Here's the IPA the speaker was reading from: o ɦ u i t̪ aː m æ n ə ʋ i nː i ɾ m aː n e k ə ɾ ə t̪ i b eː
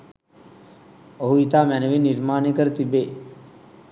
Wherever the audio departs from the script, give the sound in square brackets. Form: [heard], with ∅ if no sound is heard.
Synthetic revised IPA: o ɦ u i t̪ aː m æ n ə ʋ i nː i ɾ m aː n e k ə ɾ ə t̪ i b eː

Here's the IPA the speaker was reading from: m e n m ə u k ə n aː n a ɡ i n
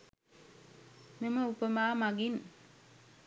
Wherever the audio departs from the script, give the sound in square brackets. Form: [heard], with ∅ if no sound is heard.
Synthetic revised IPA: m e [∅] m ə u [p] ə [m] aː [m] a ɡ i n

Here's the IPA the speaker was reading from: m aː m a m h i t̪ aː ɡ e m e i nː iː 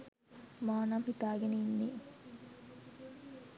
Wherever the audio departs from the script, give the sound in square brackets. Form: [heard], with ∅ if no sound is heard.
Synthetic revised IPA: m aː [n] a m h i t̪ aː ɡ e [n] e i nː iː

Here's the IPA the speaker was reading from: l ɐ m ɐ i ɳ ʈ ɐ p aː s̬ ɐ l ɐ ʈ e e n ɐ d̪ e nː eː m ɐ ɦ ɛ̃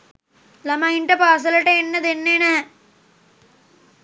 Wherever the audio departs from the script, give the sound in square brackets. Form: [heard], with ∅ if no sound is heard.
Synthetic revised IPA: l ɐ m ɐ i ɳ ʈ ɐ p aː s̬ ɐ l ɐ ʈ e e [nː] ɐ d̪ e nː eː [n] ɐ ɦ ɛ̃

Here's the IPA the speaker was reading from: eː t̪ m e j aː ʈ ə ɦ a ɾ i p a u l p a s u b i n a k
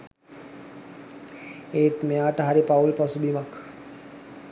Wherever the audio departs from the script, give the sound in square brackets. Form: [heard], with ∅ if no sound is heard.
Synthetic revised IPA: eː t̪ m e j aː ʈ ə ɦ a ɾ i p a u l p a s u b i [m] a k

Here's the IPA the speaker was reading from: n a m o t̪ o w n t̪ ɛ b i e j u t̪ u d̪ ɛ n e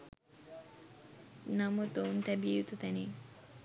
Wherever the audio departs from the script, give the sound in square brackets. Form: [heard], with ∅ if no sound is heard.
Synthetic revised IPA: n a m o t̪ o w n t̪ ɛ b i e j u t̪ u [t̪] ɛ n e

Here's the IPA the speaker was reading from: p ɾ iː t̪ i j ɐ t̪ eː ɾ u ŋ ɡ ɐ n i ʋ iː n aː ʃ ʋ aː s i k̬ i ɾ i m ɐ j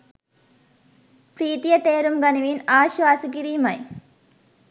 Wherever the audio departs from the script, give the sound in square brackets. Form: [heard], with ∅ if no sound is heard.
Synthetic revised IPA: p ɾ iː t̪ i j ɐ t̪ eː ɾ u [m] ɡ ɐ n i ʋ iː n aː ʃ ʋ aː s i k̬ i ɾ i m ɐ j

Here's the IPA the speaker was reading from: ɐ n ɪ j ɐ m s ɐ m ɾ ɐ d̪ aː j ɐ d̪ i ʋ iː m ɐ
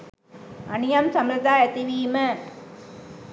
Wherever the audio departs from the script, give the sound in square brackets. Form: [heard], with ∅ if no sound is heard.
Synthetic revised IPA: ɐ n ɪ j ɐ m s ɐ m ɾ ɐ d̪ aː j ɐ [t̪] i ʋ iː m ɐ

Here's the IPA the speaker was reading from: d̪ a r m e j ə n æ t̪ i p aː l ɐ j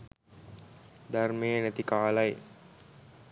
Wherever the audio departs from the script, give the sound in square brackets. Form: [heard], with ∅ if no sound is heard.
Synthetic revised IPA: d̪ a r m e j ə n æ t̪ i [k] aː l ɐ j

